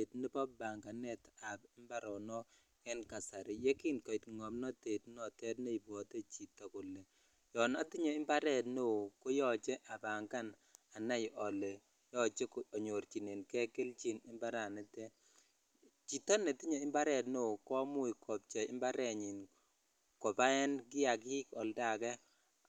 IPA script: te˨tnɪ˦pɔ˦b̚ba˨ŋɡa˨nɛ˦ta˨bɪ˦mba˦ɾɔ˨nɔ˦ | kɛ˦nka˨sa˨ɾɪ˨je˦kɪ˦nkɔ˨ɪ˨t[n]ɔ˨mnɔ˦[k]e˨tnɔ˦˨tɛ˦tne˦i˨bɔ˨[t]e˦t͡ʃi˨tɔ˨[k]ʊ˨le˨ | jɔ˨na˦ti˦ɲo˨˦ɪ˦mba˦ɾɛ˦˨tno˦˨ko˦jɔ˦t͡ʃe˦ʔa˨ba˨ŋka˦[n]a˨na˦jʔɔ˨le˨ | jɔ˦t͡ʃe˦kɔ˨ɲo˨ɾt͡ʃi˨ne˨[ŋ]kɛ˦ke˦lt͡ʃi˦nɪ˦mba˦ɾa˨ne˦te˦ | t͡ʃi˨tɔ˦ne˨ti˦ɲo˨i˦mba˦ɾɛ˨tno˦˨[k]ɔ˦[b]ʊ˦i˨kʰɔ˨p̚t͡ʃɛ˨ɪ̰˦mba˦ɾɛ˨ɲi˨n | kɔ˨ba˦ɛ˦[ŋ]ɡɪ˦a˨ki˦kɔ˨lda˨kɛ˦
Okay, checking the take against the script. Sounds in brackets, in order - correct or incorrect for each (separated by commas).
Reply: incorrect, incorrect, correct, correct, correct, incorrect, correct, incorrect, incorrect